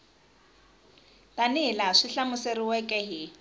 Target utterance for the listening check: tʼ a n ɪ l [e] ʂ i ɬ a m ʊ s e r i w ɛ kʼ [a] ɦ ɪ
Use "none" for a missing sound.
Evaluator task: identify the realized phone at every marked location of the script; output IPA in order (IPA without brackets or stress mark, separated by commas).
a, ɛ